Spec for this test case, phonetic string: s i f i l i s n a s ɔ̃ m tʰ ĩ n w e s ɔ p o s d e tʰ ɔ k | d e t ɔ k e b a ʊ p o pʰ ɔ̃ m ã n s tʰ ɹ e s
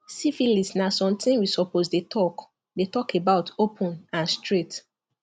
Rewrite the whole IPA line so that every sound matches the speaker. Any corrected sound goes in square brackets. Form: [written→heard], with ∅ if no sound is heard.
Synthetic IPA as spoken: s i f i l i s n a s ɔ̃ m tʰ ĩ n w [e→i] s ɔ p o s d e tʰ ɔ k | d e t ɔ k e b a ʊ [p→t] o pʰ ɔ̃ [m→n] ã n s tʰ ɹ e [s→t]